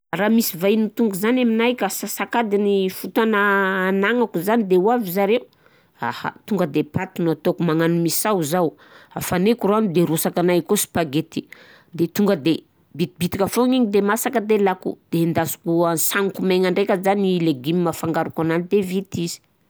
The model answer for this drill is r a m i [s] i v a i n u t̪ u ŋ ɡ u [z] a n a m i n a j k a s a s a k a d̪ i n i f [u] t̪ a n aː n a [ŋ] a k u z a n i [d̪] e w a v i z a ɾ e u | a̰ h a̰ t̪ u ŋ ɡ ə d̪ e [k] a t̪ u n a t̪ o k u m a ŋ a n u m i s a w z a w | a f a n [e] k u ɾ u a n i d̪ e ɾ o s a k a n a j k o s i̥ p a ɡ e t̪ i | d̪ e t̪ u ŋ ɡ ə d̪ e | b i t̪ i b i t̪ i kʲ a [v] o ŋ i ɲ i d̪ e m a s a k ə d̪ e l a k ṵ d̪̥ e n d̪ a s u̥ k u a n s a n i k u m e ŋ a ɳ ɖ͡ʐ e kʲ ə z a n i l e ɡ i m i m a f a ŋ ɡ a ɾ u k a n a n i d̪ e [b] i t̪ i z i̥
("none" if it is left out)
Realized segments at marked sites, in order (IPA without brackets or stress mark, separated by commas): s, z, u, ŋ, d̪, p, e, f, v